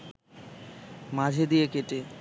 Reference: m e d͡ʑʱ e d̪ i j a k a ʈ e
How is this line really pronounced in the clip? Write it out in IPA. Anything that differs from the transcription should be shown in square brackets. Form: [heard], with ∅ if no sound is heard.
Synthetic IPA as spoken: m [a] d͡ʑʱ e d̪ i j [e] k [e] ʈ e

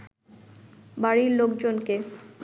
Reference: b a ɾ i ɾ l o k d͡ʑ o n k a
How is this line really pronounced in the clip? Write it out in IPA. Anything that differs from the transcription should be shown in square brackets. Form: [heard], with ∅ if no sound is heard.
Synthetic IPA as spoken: b a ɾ i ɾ l o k d͡ʑ o n k [e]

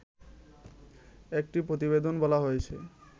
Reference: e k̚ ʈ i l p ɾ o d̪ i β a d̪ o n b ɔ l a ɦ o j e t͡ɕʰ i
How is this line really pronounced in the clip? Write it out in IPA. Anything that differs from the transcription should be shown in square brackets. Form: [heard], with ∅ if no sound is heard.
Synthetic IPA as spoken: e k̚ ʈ i [∅] p ɾ o [t̪] i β [e] d̪ o n b ɔ l a ɦ o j e t͡ɕʰ [e]

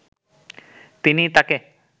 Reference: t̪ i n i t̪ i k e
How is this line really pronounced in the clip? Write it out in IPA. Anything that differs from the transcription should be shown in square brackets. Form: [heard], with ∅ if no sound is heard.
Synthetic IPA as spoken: t̪ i n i t̪ [a] k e

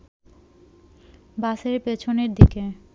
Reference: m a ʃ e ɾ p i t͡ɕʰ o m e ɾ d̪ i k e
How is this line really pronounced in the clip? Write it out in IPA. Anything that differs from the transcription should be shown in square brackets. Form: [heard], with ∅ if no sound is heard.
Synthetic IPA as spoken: [b] a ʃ e ɾ p [e] t͡ɕʰ o [n] e ɾ d̪ i k e

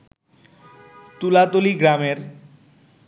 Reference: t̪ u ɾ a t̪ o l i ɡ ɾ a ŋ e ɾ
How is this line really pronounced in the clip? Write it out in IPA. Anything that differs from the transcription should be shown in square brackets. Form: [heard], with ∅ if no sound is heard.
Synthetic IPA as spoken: t̪ u [l] a t̪ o l i ɡ ɾ a [m] e ɾ

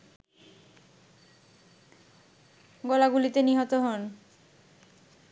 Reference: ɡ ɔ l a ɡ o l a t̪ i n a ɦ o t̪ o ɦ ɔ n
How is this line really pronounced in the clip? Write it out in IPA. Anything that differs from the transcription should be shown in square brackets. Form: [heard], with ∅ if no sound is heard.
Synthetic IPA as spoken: ɡ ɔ l a ɡ [u] l [i] t̪ [e] n [i] ɦ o t̪ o ɦ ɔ n

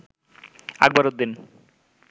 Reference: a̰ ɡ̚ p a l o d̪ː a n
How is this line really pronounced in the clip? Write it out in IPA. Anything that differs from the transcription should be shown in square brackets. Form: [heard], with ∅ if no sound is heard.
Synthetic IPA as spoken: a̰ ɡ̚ [b] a [ɾ] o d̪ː [i] n

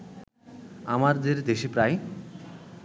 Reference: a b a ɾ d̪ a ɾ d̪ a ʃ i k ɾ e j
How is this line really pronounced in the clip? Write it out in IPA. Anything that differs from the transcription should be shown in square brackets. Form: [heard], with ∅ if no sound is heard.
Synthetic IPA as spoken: a [m] a ɾ d̪ [e] ɾ d̪ [e] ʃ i [p] ɾ [a] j

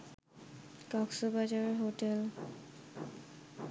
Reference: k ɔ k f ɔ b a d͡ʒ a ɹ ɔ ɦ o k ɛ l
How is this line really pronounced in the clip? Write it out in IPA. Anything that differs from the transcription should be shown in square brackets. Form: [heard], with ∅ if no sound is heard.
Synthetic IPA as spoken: k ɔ k [s] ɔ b a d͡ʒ a ɹ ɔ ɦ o [t] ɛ l

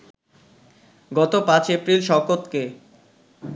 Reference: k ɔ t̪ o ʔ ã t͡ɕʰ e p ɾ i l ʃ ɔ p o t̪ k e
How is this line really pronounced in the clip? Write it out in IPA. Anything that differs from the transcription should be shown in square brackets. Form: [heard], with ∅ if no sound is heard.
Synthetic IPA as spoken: [ɡ] ɔ t̪ o [p] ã [t͡ɕ] e p ɾ i l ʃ ɔ [k] o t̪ k e

